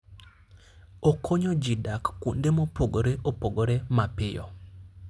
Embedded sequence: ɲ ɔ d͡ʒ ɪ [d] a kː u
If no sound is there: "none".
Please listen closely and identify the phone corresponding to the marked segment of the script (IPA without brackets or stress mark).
d